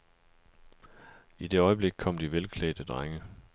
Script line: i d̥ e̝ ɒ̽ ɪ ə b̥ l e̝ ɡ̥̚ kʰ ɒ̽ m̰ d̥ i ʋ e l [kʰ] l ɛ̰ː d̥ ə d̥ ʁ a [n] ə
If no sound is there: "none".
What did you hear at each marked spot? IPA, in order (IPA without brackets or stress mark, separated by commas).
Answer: kʰ, ŋ